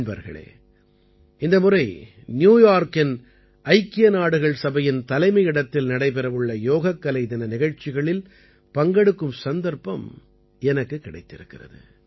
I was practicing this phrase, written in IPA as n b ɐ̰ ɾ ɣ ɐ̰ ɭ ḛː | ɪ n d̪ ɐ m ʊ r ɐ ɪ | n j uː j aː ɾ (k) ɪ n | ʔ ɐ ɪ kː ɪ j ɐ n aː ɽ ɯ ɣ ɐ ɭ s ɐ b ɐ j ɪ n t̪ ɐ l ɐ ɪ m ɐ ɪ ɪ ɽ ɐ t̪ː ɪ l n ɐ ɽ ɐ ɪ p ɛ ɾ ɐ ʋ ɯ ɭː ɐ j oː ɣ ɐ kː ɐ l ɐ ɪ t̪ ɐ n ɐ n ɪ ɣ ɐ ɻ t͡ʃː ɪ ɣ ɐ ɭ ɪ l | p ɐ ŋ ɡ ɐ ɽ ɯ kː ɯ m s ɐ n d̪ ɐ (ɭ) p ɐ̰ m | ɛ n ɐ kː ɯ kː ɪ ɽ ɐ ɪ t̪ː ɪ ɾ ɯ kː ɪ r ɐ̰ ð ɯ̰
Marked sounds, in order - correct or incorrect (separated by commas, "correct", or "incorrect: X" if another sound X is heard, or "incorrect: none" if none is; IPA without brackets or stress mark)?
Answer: correct, incorrect: ɾ